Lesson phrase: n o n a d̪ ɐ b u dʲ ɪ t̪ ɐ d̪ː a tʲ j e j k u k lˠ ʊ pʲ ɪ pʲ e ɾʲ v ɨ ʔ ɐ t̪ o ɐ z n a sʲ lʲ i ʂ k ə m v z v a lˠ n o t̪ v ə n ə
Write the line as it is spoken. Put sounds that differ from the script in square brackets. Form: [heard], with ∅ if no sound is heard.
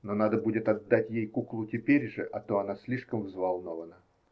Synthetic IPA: n o n a d̪ [ə] b u dʲ ɪ t̪ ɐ d̪ː a tʲ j e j k u k lˠ ʊ [tʲ] ɪ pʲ e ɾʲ [ʐ] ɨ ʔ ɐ t̪ o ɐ [∅] n a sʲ lʲ i ʂ k ə m v z v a lˠ n o [∅] v ə n ə